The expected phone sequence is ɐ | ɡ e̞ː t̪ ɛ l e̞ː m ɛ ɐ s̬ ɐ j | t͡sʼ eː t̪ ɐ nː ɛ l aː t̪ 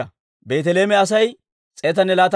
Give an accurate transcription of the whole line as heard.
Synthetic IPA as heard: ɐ | b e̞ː t̪ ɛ l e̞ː m ɛ ɐ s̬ ɐ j | t͡sʼ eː t̪ ɐ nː ɛ l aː t̪